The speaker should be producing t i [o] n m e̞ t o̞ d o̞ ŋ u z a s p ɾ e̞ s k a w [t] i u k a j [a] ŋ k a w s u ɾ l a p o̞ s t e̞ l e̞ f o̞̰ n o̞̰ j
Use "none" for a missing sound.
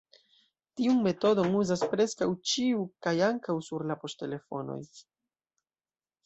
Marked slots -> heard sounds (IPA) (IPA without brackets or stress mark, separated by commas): u, t͡ʃ, a